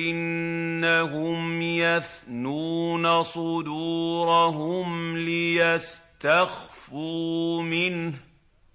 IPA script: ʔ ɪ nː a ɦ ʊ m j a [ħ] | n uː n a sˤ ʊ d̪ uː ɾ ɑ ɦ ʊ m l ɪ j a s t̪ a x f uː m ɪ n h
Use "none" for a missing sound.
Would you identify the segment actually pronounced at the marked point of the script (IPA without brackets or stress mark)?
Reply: θ